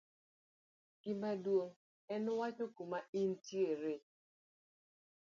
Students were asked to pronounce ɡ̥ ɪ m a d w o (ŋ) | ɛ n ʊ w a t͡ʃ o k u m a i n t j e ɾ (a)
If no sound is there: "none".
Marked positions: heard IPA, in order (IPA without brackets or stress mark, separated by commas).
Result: ŋ, e